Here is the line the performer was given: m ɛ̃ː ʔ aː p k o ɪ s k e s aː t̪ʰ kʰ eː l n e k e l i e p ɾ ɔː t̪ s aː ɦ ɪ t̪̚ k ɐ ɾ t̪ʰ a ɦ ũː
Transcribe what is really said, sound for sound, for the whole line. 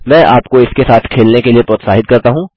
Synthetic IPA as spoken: m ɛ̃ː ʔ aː p k o ɪ s k e s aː t̪ʰ kʰ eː l n e k e l i e p ɾ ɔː t̪ s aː ɦ ɪ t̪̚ k ɐ ɾ t̪ a ɦ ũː